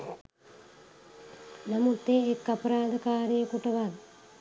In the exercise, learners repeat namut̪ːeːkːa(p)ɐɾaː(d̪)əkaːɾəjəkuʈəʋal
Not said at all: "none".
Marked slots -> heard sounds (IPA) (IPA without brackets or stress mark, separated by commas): p, d̪